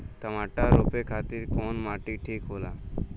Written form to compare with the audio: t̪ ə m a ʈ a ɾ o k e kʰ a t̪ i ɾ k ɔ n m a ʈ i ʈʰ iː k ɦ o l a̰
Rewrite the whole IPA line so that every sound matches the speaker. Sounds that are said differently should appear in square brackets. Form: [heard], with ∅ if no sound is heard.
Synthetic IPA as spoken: t̪ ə m a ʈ a ɾ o [p] e kʰ a t̪ i ɾ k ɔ n m a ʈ i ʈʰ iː k ɦ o l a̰